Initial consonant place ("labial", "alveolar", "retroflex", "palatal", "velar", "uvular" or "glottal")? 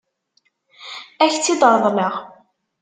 palatal